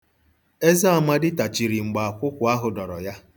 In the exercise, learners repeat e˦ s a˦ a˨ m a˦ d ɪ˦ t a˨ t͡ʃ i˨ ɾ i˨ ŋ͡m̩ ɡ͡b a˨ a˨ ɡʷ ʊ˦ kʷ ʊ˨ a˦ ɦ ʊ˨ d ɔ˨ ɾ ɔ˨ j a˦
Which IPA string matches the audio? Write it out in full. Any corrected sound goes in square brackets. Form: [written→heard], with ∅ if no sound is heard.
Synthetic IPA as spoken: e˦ [s→z] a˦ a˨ m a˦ d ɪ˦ t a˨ t͡ʃ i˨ ɾ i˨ ŋ͡m̩ ɡ͡b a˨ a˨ [ɡʷ→kʷ] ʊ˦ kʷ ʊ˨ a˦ ɦ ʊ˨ d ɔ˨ ɾ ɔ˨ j a˦

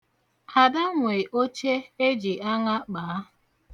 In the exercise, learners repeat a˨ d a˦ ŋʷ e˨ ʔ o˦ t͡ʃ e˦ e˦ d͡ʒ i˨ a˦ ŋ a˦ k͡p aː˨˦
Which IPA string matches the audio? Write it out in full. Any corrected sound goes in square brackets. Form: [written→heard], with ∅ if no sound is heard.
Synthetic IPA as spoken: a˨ d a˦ ŋʷ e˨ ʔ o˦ t͡ʃ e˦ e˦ d͡ʒ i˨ a˦ ŋ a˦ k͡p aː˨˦

